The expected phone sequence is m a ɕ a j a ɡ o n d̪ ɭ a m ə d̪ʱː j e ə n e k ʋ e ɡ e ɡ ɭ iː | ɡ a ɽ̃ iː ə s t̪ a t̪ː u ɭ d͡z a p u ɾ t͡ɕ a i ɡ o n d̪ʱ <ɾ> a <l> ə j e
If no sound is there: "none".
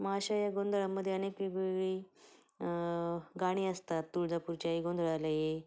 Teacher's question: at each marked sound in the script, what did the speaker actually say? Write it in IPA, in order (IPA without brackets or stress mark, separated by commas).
ɭ, l